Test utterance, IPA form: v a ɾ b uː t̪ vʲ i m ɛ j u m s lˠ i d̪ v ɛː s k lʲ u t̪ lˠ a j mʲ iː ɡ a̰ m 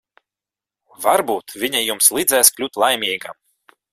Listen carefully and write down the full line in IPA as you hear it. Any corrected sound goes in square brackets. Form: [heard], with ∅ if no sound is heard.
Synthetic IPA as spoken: v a ɾ b uː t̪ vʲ i [ɲ] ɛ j u m s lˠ i d̪ [z] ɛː s k lʲ u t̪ lˠ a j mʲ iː ɡ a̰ m